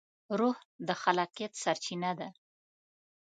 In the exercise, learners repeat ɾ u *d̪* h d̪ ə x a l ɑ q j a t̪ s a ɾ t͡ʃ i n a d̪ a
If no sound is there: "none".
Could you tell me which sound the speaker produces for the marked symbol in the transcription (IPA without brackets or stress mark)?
none